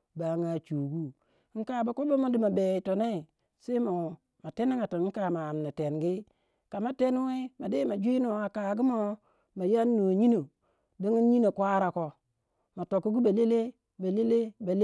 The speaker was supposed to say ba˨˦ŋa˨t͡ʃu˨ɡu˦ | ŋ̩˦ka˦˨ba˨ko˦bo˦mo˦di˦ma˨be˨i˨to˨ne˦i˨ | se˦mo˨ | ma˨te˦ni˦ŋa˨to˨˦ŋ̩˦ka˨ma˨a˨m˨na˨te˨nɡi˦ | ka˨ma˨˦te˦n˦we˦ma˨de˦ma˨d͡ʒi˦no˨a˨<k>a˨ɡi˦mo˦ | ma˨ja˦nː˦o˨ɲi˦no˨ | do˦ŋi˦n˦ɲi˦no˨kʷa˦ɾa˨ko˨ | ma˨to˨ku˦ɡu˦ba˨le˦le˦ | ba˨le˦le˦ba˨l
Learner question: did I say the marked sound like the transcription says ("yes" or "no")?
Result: yes